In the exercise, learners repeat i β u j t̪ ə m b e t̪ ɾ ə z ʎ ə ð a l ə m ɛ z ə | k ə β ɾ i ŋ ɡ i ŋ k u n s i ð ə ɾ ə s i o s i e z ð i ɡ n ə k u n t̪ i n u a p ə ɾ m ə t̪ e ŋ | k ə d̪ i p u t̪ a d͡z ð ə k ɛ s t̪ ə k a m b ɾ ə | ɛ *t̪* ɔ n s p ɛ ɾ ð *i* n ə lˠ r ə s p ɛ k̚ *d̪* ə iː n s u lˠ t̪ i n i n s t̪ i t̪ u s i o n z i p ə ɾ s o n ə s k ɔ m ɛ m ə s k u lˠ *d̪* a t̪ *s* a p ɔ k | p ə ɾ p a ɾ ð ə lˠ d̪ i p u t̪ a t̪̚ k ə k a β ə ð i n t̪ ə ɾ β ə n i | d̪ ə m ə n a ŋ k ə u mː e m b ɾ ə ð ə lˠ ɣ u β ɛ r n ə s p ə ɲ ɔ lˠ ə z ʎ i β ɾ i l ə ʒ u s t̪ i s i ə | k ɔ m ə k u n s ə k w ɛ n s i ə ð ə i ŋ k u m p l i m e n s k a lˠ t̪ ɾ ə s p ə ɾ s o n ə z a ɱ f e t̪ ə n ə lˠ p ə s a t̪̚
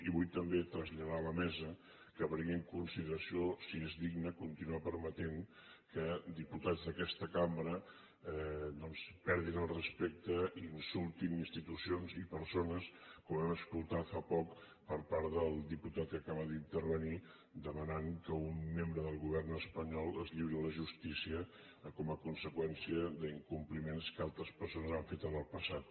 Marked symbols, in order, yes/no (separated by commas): no, yes, no, no, no